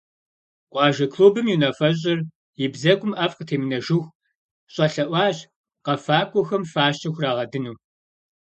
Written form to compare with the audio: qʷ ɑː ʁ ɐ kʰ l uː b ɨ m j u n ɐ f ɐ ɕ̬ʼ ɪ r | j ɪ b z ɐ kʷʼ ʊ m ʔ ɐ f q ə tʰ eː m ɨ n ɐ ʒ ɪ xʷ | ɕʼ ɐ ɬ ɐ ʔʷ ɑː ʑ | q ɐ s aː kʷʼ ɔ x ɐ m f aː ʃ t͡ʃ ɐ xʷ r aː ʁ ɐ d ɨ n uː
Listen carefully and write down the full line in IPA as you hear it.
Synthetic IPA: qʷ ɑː ʒ ɐ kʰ l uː b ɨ m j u n ɐ f ɐ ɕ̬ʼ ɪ r | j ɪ b z ɐ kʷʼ ʊ m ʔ ɐ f q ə tʰ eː m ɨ n ɐ ʒ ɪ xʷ | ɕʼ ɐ ɬ ɐ ʔʷ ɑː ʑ | q ɐ f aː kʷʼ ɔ x ɐ m f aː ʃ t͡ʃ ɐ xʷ r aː ʁ ɐ d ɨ n uː